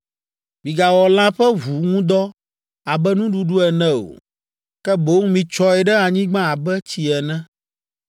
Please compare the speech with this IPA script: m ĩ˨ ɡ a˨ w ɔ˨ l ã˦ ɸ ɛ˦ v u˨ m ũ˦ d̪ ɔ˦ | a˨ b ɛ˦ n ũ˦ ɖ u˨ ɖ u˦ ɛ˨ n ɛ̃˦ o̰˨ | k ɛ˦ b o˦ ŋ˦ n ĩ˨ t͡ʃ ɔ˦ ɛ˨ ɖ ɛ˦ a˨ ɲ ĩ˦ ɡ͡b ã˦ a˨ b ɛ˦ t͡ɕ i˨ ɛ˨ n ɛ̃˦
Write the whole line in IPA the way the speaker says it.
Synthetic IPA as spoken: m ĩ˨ ɡ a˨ w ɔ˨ l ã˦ ɸ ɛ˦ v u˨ ŋ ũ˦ d̪ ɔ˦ | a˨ b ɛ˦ n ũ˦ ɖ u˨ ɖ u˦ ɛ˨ n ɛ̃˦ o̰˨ | k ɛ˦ b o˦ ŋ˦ m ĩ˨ t͡ʃ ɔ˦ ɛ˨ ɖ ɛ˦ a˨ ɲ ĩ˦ ɡ͡b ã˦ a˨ b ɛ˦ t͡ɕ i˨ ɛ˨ n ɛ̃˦